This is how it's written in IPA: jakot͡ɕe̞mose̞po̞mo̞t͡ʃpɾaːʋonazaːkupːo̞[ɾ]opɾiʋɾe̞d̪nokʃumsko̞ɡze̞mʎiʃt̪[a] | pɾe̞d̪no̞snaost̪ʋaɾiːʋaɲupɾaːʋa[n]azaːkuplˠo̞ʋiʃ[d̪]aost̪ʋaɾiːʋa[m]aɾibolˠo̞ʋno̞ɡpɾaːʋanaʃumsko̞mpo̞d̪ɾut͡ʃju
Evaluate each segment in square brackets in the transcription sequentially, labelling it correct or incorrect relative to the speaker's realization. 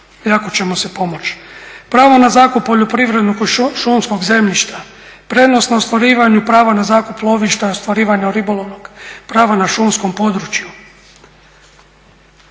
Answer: incorrect: ʎ, correct, correct, incorrect: t̪, incorrect: ɲ

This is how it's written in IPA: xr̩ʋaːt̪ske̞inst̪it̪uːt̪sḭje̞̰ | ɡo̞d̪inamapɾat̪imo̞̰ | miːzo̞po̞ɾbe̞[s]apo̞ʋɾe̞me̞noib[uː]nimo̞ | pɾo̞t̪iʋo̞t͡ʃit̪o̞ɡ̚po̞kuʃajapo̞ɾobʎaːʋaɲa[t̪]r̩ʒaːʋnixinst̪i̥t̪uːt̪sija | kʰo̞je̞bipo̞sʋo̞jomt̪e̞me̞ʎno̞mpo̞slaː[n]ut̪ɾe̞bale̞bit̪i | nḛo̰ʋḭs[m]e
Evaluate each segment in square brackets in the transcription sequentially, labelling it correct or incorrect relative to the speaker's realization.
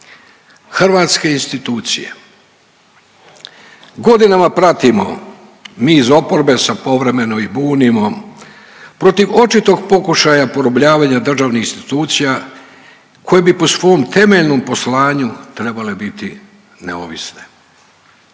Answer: correct, correct, incorrect: d̪, incorrect: ɲ, incorrect: n

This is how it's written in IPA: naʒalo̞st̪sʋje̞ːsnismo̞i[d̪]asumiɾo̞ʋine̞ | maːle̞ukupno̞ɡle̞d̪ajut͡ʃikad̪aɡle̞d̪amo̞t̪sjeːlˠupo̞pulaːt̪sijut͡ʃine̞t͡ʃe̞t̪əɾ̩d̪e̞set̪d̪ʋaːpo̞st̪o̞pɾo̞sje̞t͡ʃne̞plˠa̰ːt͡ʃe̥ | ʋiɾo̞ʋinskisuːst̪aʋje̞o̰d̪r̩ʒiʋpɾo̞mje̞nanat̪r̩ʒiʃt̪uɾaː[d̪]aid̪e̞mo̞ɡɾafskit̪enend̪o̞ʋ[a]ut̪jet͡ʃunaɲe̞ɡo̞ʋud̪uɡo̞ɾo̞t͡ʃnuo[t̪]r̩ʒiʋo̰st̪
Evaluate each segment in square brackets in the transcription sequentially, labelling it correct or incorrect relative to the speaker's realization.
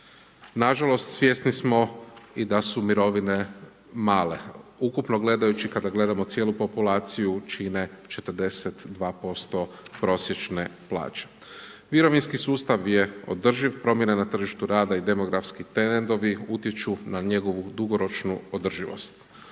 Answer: correct, correct, incorrect: i, incorrect: d̪

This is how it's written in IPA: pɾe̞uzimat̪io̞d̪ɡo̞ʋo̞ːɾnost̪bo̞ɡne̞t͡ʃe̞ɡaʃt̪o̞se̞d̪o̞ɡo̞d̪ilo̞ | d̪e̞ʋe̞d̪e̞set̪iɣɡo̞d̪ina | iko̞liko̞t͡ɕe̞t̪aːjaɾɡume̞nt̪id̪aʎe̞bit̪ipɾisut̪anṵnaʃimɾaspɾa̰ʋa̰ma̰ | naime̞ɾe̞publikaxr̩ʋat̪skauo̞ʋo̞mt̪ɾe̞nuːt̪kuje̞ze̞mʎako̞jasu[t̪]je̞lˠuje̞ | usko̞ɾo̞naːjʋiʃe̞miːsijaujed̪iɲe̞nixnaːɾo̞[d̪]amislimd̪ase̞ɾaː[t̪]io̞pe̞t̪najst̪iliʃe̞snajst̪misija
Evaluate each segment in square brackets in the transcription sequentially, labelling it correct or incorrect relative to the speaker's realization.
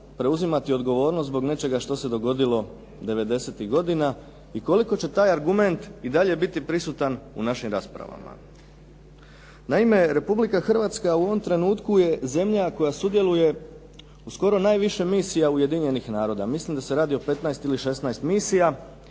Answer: incorrect: d̪, correct, incorrect: d̪

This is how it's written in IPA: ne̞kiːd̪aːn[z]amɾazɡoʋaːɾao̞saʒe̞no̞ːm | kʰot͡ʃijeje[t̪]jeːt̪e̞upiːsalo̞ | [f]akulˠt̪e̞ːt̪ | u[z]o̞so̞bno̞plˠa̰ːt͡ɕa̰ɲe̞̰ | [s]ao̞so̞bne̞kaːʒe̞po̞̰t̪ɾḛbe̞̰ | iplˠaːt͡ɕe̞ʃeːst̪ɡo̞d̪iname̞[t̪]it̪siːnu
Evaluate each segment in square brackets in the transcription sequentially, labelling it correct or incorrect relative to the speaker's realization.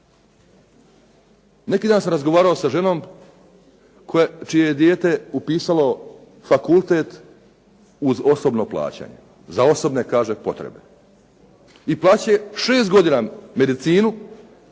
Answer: incorrect: s, incorrect: d̪, correct, correct, incorrect: z, incorrect: d̪

